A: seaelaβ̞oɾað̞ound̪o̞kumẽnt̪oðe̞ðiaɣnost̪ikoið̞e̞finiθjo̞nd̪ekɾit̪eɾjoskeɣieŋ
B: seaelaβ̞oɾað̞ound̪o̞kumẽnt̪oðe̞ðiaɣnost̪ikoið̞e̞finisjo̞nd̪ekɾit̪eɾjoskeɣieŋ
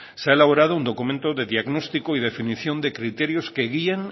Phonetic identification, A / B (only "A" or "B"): A